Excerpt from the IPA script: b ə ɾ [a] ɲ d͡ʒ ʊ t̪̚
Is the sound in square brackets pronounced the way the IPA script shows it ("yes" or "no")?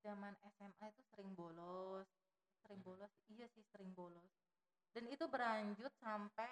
yes